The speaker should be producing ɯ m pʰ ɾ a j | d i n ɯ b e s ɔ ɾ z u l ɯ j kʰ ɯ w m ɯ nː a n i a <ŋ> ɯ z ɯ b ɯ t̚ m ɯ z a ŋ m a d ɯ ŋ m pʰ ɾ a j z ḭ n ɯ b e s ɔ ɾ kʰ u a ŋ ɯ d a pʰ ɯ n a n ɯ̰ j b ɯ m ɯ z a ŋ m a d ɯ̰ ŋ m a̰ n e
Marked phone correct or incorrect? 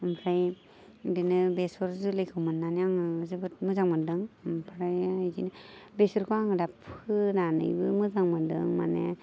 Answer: correct